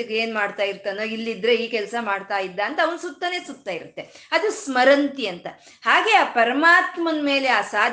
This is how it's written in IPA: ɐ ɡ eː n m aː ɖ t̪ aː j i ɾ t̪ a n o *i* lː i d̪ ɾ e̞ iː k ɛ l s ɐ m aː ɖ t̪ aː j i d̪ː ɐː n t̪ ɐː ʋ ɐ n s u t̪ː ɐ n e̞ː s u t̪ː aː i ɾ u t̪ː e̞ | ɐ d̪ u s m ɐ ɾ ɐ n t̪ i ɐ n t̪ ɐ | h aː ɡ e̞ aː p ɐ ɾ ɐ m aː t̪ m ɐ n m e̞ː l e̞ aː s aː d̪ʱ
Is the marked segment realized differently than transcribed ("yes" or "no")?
no